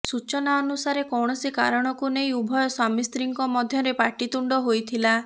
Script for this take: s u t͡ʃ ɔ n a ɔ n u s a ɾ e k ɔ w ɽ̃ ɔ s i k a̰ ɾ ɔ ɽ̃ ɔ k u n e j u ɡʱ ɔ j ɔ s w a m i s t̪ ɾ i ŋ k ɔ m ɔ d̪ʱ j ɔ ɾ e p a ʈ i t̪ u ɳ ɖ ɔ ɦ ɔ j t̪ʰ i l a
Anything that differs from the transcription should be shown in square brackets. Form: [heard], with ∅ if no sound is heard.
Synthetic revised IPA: s u t͡ʃ ɔ n a ɔ n u s a ɾ e k ɔ w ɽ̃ ɔ s i k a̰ ɾ ɔ ɽ̃ ɔ k u n e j u [bʱ] ɔ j ɔ s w a m i s t̪ ɾ i ŋ k ɔ m ɔ d̪ʱ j ɔ ɾ e p a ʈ i t̪ u ɳ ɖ ɔ ɦ [o] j t̪ʰ i l a